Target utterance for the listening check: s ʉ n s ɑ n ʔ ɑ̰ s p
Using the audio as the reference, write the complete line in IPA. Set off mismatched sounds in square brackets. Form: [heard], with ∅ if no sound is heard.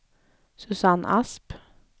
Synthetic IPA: s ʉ [∅] s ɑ n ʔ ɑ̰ s p